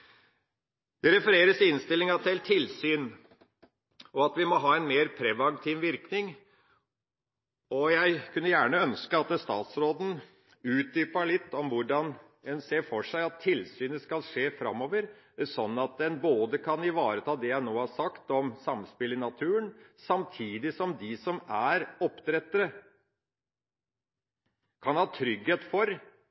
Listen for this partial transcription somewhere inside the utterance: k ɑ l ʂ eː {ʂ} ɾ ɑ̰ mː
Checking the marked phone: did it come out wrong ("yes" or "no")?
yes